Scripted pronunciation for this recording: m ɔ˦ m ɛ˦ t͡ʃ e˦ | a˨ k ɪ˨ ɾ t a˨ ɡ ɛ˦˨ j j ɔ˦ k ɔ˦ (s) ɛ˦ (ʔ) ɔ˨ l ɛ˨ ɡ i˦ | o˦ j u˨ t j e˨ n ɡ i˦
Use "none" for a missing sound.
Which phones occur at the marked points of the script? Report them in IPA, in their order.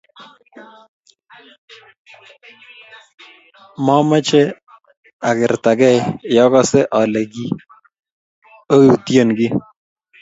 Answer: s, ʔ

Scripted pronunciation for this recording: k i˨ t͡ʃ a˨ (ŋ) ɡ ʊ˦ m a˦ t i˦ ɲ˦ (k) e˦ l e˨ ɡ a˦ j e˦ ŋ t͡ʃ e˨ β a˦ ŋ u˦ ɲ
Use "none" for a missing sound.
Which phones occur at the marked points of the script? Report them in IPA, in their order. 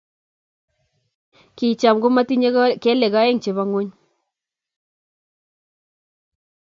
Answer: m, k

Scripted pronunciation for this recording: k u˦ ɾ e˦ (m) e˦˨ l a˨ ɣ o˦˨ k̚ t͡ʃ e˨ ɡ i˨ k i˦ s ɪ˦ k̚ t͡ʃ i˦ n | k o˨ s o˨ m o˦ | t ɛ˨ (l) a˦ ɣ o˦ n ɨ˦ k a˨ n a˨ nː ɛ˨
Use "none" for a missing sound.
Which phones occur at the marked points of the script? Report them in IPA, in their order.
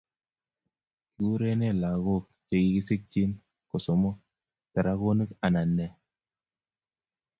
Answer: n, ɾ

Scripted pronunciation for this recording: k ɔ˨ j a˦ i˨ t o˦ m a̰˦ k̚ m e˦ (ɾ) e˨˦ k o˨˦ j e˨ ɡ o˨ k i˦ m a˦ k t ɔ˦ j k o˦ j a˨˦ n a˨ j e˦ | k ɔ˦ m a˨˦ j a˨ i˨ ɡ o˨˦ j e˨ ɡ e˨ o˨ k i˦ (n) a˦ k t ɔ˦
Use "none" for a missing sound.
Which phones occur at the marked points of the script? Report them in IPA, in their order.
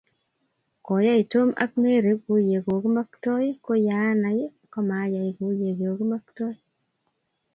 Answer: ɾ, m

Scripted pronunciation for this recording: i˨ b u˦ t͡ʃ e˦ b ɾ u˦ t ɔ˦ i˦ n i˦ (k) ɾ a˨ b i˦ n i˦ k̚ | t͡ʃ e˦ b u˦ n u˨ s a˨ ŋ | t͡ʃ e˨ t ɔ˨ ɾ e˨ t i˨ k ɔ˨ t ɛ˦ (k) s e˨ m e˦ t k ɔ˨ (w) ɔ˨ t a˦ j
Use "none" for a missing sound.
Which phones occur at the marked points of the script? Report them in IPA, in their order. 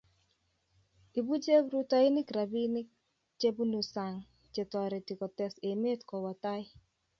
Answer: k, none, w

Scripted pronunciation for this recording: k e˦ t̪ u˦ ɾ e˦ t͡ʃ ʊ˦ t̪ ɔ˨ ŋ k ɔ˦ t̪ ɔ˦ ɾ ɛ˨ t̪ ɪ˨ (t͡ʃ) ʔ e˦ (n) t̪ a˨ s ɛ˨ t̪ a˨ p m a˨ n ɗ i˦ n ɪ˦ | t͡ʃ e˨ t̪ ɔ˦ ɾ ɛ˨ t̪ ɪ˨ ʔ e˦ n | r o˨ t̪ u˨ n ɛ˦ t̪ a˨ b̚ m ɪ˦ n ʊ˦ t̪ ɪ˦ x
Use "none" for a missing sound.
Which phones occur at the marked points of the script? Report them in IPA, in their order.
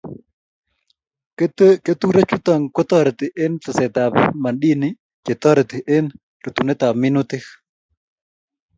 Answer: none, n

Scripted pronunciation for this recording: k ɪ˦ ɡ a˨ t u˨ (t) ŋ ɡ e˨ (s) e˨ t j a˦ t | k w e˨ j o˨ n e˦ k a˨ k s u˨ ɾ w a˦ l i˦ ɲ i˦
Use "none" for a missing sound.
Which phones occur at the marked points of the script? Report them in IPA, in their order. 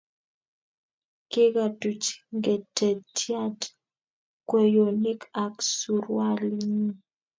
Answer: t͡ʃ, t

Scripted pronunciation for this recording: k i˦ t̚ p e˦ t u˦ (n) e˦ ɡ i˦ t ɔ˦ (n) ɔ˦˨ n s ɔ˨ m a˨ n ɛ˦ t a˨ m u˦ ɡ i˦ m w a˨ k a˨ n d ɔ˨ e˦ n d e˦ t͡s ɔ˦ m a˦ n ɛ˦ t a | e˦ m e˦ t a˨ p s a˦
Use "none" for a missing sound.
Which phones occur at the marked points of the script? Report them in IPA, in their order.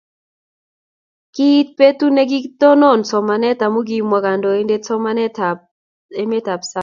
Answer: n, n

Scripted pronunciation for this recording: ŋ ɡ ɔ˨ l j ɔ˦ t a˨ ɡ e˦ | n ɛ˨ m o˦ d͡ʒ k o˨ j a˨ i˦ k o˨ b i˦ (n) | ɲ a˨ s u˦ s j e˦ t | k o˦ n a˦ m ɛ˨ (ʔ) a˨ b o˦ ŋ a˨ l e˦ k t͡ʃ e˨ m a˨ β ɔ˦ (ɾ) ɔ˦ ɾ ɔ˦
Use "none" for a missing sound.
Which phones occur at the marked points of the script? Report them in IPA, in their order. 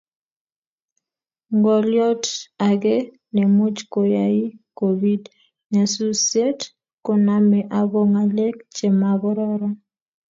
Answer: d, ʔ, ɾ

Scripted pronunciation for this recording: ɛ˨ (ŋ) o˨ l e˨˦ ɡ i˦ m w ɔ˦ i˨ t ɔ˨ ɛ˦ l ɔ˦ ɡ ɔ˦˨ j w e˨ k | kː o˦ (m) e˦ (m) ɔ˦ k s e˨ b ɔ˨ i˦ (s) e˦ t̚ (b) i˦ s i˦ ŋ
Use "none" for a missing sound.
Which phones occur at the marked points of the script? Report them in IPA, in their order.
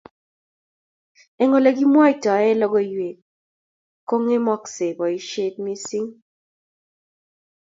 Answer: ŋ, ŋ, m, ʃ, m

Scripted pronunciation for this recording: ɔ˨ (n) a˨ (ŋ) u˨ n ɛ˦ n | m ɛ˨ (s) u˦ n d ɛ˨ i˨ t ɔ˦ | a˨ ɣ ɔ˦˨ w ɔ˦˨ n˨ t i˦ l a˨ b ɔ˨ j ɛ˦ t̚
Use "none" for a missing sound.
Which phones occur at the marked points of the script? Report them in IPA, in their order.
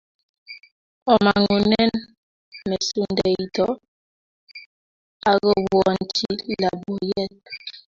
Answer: m, ŋ, s

